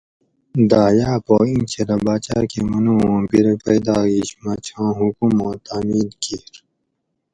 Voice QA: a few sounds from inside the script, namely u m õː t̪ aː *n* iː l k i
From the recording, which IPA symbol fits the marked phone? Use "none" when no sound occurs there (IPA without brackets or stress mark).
m